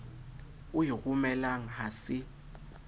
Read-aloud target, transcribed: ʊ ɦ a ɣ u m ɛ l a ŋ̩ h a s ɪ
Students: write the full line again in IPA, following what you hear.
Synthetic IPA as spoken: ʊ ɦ i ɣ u m ɛ l a ŋ̩ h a s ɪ